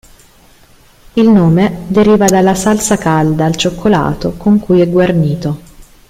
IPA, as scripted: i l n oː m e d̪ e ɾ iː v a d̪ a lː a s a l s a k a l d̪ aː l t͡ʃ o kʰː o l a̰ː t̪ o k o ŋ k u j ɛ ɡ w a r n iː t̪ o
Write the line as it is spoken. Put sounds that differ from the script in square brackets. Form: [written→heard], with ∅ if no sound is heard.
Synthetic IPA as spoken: i l n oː m e d̪ e ɾ iː v a d̪ a lː a s a l s a k a l d̪ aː l t͡ʃ o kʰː o l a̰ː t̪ o k o ŋ k u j ɛ ɡ w a r n iː t̪ o